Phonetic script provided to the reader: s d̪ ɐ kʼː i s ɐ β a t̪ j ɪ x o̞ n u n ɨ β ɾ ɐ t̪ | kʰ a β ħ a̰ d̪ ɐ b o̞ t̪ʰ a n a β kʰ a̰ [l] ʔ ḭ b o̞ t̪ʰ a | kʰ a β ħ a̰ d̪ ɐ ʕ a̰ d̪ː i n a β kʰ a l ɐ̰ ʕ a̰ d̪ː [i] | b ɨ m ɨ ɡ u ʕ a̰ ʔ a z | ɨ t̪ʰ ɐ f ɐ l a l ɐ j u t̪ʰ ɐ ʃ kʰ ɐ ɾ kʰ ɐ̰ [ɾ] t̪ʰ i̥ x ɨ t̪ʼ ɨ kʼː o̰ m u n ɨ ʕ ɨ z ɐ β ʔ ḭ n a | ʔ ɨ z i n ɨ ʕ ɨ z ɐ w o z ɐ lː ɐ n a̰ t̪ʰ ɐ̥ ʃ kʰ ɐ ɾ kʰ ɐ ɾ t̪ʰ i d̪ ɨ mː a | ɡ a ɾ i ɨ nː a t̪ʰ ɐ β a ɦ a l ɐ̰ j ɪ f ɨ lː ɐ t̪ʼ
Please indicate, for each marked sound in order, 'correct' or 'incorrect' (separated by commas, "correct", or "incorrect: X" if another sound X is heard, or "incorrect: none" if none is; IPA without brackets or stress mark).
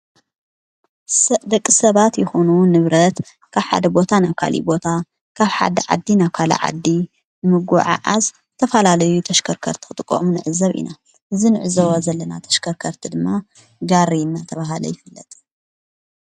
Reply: correct, correct, correct